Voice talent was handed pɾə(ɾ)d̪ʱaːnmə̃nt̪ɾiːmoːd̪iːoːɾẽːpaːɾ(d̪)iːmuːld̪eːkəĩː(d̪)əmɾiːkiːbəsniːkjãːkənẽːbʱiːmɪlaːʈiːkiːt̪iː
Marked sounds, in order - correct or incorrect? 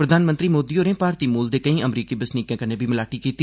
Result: incorrect: none, incorrect: t̪, incorrect: none

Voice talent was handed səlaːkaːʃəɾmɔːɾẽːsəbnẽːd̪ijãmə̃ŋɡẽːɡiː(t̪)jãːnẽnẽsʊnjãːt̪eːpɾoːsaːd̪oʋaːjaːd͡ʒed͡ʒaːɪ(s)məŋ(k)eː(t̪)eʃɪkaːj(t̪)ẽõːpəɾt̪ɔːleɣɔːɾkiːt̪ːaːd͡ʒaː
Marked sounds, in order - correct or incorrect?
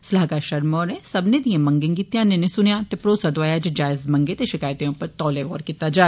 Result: correct, incorrect: z, incorrect: ɡ, correct, correct

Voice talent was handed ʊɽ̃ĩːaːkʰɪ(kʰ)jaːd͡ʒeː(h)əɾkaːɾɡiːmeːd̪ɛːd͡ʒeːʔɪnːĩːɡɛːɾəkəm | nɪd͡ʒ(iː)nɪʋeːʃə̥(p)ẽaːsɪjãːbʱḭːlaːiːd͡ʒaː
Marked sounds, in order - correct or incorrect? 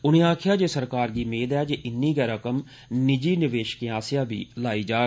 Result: incorrect: none, incorrect: s, correct, incorrect: k

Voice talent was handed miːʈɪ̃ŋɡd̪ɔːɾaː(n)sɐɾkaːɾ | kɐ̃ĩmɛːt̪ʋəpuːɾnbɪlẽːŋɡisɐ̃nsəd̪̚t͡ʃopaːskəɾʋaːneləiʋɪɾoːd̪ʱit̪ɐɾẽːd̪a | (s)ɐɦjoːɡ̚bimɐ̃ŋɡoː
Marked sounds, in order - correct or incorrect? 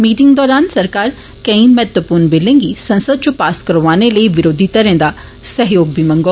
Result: correct, correct

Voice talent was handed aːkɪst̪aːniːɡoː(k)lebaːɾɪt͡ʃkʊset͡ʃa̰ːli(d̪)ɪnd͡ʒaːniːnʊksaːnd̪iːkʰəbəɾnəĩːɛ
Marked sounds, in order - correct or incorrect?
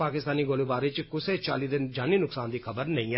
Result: incorrect: none, correct

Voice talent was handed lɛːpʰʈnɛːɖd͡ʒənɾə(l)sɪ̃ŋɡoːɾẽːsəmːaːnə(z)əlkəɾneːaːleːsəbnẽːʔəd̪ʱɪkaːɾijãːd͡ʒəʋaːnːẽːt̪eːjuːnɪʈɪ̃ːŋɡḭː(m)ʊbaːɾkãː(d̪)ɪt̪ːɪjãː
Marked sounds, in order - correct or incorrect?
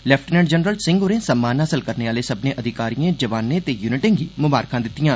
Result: correct, incorrect: s, correct, correct

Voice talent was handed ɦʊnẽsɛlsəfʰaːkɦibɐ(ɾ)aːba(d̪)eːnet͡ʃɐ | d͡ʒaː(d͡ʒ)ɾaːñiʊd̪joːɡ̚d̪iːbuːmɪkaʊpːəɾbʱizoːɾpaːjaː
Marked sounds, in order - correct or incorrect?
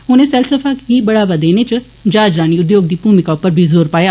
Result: incorrect: ɽ, correct, correct

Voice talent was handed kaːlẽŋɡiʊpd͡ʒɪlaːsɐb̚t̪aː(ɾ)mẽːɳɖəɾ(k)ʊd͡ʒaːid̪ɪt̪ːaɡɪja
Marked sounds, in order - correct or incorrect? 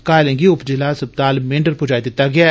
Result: incorrect: l, incorrect: p

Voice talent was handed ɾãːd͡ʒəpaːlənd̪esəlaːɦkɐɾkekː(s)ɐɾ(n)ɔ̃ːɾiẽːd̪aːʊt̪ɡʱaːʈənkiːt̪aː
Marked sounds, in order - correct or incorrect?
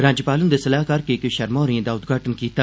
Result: incorrect: ʃ, incorrect: m

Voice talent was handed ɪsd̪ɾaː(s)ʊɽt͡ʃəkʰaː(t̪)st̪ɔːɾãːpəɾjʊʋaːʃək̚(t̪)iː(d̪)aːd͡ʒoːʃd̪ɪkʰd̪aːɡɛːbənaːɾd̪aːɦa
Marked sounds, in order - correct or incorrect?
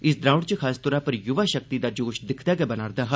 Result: incorrect: none, incorrect: none, correct, correct

